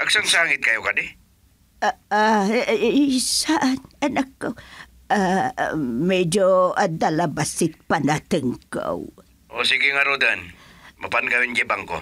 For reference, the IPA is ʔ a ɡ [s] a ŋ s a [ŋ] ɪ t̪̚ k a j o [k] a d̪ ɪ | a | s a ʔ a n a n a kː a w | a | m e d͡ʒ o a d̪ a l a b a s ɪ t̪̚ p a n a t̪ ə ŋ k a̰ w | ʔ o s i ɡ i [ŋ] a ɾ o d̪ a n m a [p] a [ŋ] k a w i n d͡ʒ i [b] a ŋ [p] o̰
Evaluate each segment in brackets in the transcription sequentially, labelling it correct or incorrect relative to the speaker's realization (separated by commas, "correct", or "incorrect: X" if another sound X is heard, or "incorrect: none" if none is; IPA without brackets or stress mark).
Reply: correct, correct, correct, correct, correct, incorrect: n, correct, incorrect: k